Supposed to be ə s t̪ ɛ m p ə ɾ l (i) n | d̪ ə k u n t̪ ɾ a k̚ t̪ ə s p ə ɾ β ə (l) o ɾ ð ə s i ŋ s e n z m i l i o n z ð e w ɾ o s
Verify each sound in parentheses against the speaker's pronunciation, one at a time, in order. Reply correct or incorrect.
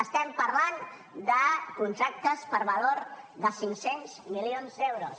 incorrect, correct

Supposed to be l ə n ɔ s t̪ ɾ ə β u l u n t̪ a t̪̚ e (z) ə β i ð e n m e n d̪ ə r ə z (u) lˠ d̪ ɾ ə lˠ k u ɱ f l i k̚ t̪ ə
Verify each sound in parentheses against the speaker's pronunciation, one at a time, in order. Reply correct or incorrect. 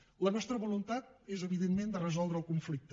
correct, incorrect

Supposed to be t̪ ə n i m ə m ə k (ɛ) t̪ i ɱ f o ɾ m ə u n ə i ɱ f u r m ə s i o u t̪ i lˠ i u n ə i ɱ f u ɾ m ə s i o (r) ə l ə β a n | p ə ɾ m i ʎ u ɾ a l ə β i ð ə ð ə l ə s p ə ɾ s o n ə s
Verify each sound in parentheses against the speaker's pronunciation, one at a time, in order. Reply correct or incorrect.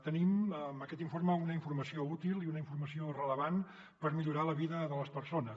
correct, correct

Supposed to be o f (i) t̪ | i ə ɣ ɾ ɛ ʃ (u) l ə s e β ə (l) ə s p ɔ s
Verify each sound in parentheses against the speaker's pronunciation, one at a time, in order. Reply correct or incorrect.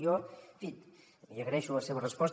correct, correct, incorrect

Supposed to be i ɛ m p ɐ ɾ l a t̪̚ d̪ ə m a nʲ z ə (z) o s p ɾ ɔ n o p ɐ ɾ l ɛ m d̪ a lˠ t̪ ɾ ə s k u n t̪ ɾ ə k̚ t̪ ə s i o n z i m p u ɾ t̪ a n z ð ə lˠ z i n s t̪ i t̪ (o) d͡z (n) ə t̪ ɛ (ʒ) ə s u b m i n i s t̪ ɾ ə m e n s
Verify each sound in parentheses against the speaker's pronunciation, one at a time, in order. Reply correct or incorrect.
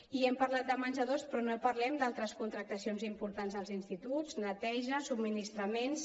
incorrect, incorrect, correct, correct

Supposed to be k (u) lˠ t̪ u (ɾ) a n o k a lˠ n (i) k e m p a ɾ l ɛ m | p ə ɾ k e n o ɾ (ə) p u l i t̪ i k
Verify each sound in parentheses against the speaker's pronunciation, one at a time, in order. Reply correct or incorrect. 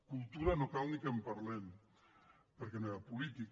correct, correct, correct, incorrect

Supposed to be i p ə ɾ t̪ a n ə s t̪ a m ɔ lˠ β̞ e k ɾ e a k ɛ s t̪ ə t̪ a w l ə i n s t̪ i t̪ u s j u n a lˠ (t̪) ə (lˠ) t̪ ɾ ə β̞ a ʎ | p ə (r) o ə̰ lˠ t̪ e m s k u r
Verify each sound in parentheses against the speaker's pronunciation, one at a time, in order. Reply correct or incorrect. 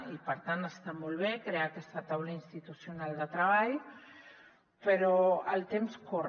incorrect, incorrect, incorrect

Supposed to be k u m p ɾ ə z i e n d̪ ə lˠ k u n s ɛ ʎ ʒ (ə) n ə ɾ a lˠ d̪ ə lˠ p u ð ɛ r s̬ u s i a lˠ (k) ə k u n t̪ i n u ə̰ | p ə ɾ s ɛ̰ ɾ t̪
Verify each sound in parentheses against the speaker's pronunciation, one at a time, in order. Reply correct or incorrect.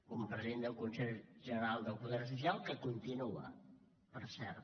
correct, correct

